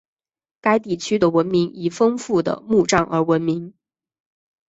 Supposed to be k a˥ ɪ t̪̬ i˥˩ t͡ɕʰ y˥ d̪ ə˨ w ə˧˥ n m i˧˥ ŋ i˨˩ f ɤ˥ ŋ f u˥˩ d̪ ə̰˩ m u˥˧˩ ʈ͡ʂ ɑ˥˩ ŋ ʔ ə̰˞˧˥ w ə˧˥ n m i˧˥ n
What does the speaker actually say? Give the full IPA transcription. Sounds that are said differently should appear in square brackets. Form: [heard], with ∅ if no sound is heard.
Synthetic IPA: k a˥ ɪ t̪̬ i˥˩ t͡ɕʰ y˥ d̪ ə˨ w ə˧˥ n m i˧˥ ŋ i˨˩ f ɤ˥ ŋ f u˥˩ d̪ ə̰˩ m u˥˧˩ ʈ͡ʂ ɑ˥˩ ŋ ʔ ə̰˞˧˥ w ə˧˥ n m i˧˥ [ŋ]